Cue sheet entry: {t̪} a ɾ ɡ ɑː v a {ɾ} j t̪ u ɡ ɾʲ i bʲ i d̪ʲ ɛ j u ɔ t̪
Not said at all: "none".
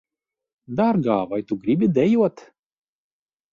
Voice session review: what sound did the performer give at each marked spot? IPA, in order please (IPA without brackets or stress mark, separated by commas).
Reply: d̪, none